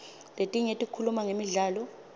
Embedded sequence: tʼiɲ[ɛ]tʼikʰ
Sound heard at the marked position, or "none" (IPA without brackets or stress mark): e